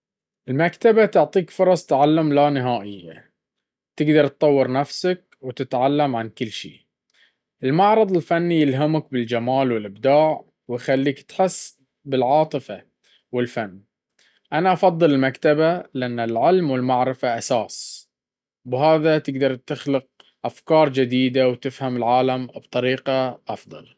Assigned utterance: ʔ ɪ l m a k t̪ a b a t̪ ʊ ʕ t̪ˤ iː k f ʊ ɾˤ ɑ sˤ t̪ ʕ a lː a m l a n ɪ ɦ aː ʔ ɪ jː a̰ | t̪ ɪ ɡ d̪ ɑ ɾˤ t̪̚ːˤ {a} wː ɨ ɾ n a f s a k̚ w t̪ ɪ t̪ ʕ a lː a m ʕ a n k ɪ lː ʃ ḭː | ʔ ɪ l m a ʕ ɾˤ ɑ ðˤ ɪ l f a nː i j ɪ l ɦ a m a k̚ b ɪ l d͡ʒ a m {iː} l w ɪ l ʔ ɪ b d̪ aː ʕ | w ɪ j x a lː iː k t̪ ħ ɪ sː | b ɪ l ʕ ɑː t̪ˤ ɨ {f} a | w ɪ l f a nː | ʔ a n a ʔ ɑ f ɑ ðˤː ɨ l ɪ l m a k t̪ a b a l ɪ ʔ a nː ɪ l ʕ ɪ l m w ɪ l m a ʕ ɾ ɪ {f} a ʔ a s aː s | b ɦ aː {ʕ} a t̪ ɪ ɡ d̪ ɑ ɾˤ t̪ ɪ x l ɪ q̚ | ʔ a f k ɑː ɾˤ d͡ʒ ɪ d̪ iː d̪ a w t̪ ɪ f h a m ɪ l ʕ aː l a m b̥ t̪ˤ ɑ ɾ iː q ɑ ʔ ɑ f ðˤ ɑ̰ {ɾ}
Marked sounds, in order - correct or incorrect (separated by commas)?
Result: incorrect, incorrect, correct, correct, incorrect, incorrect